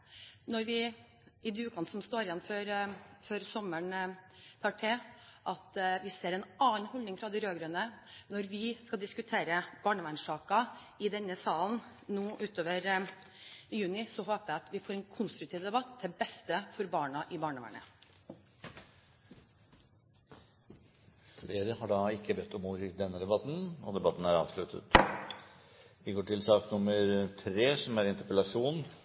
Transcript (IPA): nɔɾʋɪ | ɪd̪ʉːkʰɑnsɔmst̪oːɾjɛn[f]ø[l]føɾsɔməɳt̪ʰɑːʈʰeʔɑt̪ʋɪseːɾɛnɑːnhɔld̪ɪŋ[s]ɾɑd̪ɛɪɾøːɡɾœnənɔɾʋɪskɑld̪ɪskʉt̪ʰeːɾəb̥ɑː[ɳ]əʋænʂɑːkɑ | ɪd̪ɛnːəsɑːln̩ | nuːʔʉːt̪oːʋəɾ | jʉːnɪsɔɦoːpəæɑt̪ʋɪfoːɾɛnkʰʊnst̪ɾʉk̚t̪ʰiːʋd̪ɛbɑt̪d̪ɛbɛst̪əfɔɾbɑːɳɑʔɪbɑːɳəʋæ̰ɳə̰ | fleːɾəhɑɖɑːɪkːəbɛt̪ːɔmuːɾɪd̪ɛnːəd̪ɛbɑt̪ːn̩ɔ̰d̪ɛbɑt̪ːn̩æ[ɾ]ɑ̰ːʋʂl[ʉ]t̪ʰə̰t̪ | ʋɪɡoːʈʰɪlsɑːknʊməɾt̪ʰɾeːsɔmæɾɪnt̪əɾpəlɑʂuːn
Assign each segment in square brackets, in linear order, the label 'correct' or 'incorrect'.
correct, incorrect: ɾ, incorrect: f, correct, correct, correct

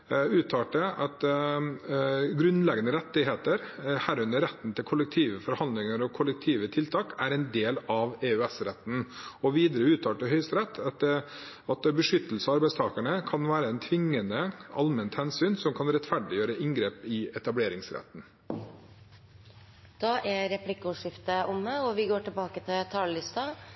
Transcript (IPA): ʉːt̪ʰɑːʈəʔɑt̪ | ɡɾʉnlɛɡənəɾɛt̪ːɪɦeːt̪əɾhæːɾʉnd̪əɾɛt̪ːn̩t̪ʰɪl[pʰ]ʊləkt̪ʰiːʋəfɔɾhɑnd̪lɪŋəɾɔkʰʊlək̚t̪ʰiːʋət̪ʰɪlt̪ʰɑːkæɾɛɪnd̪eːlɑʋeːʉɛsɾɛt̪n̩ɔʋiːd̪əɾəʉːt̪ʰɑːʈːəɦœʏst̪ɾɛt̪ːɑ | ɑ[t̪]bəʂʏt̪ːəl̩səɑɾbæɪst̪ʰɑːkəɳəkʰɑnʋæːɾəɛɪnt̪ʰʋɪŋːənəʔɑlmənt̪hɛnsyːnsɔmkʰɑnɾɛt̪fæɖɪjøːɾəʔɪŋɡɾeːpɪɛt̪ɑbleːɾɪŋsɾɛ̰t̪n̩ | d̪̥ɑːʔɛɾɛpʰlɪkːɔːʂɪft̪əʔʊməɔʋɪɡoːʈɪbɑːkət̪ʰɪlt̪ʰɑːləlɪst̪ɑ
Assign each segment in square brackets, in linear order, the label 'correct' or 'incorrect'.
incorrect: kʰ, correct

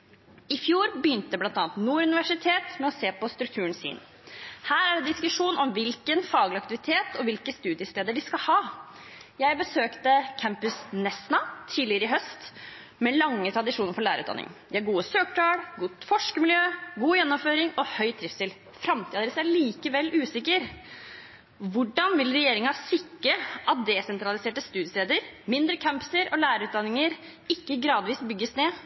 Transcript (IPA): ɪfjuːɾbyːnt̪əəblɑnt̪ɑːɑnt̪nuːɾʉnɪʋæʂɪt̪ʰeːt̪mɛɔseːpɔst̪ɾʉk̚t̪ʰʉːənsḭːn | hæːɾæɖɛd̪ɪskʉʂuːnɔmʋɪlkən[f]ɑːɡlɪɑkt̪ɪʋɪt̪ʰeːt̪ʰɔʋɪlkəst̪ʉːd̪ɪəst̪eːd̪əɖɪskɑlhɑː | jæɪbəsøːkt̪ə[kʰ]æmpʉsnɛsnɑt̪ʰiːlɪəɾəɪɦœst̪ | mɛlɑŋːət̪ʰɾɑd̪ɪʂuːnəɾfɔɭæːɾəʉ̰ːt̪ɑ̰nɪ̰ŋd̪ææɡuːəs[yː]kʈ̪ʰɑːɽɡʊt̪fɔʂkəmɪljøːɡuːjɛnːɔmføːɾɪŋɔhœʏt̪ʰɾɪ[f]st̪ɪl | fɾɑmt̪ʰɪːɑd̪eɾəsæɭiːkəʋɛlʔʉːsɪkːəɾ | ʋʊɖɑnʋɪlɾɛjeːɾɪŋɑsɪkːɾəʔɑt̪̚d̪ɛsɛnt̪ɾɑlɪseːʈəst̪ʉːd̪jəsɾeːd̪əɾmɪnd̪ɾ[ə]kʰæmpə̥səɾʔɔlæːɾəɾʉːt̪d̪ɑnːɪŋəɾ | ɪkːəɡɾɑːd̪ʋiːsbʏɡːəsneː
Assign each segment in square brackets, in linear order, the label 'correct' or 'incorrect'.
correct, correct, incorrect: øː, correct, correct

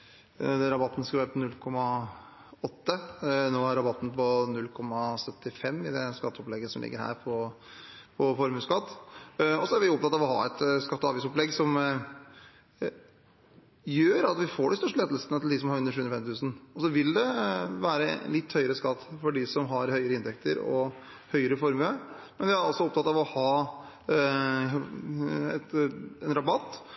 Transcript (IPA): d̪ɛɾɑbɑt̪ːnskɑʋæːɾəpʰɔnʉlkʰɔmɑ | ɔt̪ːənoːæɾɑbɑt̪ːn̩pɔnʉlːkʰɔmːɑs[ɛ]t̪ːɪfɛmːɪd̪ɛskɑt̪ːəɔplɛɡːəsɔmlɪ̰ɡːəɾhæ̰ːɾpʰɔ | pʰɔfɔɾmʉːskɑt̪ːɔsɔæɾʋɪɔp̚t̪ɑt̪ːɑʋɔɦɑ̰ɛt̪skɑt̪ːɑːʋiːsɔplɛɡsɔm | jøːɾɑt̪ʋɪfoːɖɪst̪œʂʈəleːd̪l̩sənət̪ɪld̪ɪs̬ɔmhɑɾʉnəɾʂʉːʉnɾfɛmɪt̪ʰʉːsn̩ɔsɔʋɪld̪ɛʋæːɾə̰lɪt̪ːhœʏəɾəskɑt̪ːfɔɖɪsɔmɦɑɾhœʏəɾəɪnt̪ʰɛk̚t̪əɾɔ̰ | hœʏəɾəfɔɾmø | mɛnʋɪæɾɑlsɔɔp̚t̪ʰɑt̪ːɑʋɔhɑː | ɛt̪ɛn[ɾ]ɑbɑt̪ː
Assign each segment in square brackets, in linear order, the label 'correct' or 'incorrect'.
incorrect: œ, correct

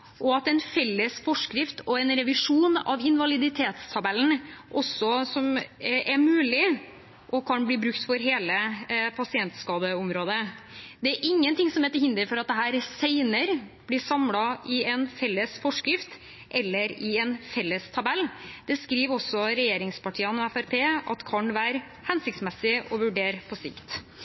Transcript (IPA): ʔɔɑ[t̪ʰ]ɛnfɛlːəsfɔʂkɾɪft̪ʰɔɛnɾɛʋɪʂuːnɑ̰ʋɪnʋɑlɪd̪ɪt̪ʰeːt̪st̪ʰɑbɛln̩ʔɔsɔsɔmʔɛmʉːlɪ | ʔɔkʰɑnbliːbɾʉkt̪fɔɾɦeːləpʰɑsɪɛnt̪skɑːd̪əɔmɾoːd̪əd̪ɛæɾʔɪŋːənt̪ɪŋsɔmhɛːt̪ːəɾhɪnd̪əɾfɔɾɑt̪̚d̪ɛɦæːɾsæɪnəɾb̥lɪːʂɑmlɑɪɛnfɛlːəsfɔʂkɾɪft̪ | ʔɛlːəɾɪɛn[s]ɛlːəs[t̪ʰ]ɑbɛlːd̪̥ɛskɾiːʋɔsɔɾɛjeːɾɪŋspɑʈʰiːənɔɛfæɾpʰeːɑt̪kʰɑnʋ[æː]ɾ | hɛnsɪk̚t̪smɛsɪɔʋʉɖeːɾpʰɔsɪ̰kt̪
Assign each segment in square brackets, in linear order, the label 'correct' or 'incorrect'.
incorrect: t̪, incorrect: f, correct, correct

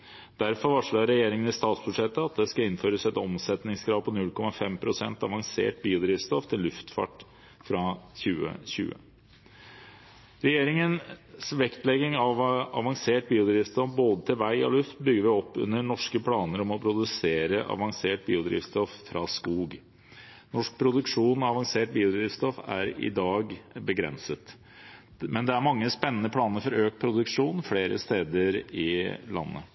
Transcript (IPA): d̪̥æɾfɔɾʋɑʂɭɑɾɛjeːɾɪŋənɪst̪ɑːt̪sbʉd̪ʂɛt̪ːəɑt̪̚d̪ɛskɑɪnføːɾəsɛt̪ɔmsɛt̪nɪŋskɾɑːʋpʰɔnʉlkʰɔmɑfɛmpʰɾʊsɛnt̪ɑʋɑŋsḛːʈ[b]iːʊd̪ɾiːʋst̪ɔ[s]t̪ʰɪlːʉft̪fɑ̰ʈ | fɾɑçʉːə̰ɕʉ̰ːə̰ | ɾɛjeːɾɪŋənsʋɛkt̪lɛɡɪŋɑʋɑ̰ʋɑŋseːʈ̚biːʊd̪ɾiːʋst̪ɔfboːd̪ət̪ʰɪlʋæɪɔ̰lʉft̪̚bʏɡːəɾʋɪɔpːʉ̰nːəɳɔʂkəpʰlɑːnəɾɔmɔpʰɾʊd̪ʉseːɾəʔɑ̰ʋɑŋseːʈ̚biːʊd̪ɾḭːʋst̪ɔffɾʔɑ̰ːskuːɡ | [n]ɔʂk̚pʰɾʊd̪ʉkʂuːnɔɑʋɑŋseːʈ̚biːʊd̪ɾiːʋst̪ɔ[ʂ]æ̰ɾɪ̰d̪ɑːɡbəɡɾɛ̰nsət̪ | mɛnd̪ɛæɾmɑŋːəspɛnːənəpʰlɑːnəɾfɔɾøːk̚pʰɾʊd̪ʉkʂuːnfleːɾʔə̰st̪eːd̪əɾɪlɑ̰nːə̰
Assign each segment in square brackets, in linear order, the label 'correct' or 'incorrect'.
correct, incorrect: f, correct, incorrect: f

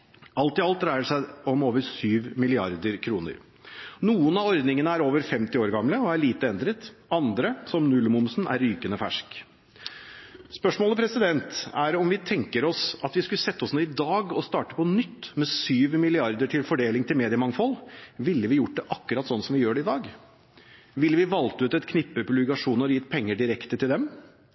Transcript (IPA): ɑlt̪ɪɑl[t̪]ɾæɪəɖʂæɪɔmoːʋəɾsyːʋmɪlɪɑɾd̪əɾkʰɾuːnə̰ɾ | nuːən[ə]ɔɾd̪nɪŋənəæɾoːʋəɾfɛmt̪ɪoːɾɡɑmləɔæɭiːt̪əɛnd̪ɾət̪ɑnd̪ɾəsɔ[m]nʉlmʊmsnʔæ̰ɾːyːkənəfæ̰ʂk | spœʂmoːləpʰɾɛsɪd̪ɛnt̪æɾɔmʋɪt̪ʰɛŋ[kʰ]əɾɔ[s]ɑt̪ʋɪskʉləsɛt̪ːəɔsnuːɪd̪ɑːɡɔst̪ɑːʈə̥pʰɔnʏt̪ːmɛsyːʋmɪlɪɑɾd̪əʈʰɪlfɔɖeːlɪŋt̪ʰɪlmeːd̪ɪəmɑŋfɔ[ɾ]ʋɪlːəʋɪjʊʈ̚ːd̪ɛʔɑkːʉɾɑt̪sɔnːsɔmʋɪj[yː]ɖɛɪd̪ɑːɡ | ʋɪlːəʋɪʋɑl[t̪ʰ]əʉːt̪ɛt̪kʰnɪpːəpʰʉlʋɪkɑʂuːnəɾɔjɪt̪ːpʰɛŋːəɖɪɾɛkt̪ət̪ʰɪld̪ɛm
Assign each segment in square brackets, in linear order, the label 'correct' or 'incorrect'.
correct, incorrect: ɑ, correct, incorrect: k, correct, incorrect: l, incorrect: øː, incorrect: t̪

